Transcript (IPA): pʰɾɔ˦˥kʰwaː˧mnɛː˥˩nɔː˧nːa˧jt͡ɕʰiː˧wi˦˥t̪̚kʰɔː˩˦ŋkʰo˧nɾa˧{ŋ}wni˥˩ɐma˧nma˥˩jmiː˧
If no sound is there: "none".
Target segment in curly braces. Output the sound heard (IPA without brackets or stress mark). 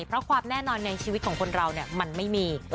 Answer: none